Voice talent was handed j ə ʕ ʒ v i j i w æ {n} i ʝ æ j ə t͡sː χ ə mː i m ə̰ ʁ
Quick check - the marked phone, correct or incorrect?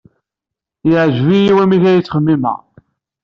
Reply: incorrect